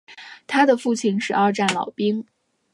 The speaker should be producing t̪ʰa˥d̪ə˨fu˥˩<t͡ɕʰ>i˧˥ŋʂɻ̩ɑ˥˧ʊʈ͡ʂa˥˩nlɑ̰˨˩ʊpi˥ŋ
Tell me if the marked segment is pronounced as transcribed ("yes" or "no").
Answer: yes